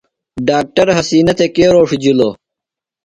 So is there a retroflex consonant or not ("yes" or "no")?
yes